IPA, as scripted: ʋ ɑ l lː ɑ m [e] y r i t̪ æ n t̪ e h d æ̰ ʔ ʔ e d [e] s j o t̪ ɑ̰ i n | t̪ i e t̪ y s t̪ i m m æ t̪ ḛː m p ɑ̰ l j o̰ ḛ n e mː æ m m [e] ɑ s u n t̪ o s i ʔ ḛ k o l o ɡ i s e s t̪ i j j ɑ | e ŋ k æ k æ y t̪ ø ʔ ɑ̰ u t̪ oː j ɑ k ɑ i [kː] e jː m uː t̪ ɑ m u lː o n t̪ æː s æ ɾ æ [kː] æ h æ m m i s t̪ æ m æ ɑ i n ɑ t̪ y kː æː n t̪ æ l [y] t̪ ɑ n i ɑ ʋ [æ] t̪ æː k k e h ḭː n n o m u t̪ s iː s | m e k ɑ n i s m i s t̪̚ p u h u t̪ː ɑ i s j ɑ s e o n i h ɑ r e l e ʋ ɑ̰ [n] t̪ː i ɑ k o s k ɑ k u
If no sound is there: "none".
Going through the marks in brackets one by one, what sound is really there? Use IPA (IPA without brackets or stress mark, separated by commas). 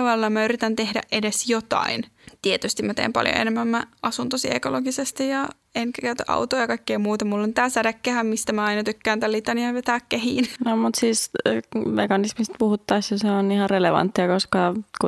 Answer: æ, e, æ, kː, kː, i, e, n